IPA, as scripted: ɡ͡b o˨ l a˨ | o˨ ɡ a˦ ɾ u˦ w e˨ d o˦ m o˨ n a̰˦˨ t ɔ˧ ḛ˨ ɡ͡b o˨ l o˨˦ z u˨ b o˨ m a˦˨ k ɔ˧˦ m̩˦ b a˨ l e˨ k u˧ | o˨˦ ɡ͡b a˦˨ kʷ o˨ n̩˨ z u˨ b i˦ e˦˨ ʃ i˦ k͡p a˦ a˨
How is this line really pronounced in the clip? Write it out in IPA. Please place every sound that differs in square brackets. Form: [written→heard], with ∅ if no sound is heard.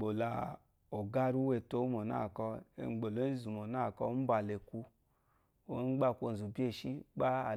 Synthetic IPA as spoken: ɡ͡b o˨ l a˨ | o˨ ɡ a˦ ɾ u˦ w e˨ [d→t] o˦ m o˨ n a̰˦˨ [t→k] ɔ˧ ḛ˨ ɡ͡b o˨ l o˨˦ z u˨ [b→m] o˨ [m→n] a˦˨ k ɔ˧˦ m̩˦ b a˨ l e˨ k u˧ | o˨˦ ɡ͡b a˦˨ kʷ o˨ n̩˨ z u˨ b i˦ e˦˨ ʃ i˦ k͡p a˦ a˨